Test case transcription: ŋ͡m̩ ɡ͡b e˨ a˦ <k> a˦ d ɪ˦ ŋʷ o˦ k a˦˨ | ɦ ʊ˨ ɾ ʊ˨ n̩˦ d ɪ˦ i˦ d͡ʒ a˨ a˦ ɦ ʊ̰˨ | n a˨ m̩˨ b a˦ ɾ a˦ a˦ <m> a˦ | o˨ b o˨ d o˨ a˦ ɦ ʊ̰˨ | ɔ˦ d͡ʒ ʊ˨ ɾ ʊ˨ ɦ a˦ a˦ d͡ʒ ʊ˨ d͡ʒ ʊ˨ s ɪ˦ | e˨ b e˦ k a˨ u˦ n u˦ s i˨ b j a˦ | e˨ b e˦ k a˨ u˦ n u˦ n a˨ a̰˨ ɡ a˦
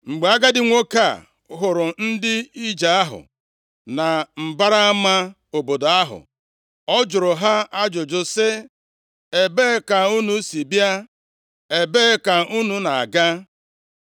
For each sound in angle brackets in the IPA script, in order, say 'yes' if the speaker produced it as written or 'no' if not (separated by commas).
no, yes